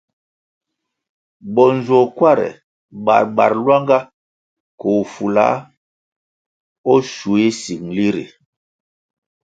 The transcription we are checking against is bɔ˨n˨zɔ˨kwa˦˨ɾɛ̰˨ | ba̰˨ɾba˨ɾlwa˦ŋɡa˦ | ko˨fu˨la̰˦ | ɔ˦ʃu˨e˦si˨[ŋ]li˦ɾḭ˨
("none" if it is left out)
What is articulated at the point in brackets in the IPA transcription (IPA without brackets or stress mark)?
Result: ŋ